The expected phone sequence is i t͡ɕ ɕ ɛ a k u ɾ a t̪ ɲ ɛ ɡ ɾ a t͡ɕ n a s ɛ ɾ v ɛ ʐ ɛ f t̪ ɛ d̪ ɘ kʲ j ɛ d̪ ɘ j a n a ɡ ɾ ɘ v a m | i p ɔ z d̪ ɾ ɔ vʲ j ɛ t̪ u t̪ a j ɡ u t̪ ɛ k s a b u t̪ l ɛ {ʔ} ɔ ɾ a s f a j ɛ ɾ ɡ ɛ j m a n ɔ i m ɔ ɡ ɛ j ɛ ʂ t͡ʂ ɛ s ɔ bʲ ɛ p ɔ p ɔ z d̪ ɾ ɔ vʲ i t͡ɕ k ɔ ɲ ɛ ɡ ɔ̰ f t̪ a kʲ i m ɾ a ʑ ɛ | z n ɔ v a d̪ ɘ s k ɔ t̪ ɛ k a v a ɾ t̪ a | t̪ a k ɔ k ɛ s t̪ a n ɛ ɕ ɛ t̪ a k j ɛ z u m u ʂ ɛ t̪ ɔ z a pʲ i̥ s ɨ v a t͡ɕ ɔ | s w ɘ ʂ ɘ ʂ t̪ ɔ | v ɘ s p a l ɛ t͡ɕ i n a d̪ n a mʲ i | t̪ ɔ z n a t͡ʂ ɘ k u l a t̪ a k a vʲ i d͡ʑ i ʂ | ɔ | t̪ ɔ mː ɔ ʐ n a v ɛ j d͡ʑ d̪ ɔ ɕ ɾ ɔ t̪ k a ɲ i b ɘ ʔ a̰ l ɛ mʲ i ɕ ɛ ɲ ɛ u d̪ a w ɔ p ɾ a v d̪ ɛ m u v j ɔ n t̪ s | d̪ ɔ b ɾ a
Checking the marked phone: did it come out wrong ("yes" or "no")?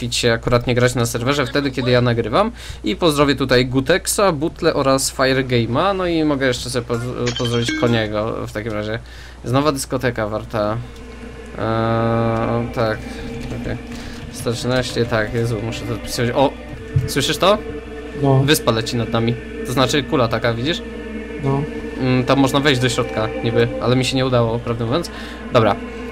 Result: no